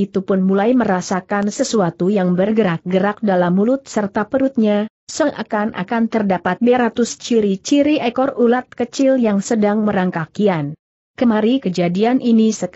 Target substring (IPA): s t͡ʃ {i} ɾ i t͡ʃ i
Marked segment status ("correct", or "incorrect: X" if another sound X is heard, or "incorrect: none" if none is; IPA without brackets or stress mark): correct